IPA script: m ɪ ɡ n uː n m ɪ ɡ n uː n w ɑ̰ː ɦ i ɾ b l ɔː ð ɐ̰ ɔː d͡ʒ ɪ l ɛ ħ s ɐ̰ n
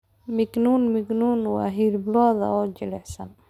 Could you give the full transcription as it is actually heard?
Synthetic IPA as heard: m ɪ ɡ n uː n m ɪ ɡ n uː n w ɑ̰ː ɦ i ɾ b l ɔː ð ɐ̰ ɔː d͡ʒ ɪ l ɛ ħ s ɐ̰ n